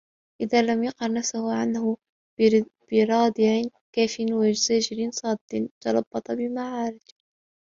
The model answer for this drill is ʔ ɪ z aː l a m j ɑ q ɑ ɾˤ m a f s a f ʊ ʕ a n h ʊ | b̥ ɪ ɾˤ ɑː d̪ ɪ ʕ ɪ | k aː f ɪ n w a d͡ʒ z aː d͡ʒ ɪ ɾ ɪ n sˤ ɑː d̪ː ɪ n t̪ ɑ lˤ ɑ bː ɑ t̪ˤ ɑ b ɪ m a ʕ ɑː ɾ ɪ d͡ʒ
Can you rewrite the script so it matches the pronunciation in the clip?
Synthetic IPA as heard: ʔ ɪ ð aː l a m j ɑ q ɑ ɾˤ n a f s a h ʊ ʕ a n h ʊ | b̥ ɪ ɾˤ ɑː d̪ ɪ ʕ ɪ | k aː f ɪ n w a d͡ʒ z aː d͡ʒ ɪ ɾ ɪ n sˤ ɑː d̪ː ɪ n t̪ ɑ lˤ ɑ bː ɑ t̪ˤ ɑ b ɪ m a ʕ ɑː ɾ ɪ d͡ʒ